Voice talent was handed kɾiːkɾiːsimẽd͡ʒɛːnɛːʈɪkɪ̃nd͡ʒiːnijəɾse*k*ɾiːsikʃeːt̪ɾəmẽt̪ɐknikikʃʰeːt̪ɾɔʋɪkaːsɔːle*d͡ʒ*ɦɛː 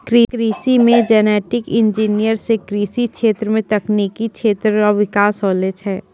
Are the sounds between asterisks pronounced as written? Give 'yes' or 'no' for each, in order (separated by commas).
yes, yes